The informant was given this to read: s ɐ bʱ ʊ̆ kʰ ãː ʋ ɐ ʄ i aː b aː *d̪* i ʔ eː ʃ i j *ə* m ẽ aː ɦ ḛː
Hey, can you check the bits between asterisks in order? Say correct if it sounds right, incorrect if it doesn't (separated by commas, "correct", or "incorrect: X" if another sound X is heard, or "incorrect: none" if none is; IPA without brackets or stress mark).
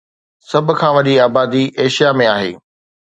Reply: correct, incorrect: a